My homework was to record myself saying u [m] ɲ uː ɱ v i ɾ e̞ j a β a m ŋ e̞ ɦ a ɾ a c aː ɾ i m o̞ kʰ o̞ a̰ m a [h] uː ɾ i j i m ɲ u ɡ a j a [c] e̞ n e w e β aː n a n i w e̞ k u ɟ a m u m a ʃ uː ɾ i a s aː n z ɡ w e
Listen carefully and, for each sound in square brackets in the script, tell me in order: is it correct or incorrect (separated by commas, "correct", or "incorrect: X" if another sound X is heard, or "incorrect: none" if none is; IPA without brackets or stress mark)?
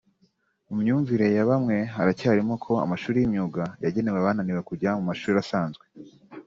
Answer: correct, incorrect: ʃ, incorrect: ɟ